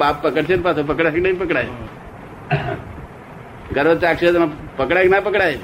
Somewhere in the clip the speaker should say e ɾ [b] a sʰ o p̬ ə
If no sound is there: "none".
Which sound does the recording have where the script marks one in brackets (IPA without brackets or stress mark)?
p